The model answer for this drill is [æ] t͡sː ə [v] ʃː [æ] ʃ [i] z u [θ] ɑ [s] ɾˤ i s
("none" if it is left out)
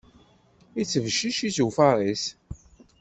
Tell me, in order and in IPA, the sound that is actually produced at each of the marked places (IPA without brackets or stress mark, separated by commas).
i, v, i, i, f, none